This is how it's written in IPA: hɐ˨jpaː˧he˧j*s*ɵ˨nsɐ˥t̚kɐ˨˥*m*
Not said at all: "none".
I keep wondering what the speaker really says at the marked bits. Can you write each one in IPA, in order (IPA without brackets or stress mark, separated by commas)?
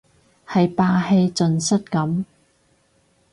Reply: t͡s, m